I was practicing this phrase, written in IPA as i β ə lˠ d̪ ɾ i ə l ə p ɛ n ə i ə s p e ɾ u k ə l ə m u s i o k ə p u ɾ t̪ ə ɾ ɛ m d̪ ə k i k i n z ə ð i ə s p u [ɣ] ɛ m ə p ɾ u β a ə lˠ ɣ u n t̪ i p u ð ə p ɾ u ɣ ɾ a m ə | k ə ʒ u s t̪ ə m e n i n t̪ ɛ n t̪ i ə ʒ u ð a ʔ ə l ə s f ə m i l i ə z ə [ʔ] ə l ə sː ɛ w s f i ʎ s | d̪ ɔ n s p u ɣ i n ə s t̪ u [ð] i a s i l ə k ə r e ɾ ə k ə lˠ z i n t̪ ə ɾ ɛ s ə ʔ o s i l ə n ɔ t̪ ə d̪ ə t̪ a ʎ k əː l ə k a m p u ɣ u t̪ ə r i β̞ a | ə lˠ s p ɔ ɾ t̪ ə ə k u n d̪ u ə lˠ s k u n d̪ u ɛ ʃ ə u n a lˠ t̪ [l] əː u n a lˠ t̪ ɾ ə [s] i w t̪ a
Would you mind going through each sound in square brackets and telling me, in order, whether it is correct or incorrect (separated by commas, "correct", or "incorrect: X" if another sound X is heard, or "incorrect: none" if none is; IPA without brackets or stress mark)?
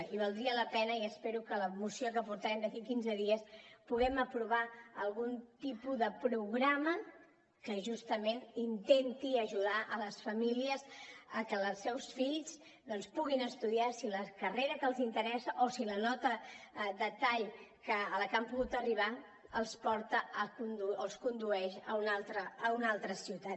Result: correct, incorrect: k, correct, incorrect: ɾ, correct